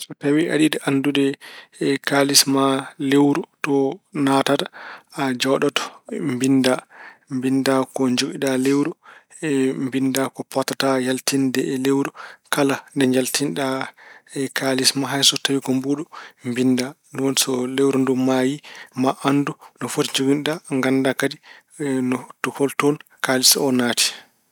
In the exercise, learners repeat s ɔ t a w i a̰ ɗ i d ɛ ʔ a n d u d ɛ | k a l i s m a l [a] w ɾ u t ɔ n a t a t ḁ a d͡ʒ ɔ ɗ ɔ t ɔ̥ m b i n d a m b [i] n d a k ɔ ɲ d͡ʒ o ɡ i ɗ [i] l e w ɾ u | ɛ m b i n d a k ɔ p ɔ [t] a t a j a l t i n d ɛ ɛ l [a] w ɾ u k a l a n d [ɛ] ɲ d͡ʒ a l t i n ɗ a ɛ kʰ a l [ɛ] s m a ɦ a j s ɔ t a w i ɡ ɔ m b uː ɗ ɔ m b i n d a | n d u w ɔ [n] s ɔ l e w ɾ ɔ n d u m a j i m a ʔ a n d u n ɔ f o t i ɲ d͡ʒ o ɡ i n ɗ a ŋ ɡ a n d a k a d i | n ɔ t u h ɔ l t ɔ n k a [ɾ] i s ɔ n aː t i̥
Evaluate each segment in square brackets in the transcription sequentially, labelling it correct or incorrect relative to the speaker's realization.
incorrect, correct, incorrect, correct, incorrect, correct, incorrect, correct, incorrect

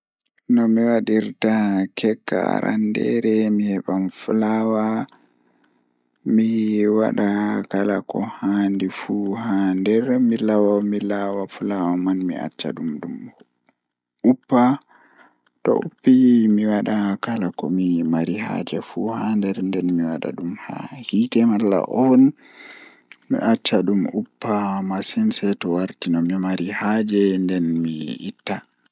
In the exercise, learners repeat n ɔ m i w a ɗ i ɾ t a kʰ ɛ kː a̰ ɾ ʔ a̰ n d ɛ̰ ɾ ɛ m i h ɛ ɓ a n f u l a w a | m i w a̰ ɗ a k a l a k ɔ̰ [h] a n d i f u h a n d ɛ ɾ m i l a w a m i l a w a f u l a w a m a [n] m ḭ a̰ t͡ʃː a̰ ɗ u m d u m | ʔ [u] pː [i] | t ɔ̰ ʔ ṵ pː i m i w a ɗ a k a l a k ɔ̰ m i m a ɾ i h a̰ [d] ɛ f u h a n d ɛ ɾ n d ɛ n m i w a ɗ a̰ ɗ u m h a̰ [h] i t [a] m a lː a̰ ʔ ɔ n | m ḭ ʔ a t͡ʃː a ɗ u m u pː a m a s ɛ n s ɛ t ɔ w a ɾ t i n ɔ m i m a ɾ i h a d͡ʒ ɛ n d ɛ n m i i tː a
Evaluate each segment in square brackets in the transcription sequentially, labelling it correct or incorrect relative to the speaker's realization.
correct, correct, correct, incorrect, incorrect, correct, incorrect

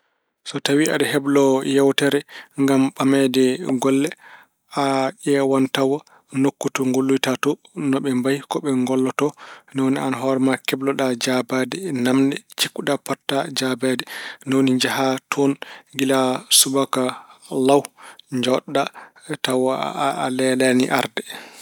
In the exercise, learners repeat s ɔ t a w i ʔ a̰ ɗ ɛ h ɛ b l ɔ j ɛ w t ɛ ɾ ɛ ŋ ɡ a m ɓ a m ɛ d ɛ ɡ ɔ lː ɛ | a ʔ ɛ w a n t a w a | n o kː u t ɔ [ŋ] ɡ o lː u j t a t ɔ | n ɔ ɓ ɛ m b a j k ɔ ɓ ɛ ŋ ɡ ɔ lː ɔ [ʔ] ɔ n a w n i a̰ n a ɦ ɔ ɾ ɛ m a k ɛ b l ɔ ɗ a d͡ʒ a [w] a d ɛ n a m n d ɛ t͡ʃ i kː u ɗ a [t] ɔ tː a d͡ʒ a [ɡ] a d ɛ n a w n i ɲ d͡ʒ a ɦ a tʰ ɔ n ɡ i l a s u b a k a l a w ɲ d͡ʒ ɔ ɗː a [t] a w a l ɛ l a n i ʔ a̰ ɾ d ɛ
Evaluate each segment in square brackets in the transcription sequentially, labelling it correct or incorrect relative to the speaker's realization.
correct, incorrect, incorrect, incorrect, incorrect, correct

